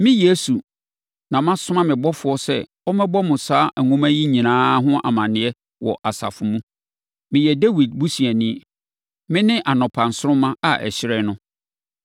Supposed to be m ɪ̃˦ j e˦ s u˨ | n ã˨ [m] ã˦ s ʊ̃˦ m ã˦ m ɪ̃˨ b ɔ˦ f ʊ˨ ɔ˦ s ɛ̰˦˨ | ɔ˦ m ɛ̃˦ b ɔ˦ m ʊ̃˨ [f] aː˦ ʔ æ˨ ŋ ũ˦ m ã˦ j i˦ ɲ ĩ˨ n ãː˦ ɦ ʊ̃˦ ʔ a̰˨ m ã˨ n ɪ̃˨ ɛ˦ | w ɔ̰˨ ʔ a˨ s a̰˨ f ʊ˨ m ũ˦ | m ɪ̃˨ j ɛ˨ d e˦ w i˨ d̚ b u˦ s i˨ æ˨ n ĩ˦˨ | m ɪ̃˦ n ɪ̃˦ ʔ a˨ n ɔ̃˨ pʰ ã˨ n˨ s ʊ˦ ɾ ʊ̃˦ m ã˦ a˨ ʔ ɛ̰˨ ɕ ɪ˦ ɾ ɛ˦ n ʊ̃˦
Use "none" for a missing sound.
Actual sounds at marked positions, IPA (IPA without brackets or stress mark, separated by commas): m, s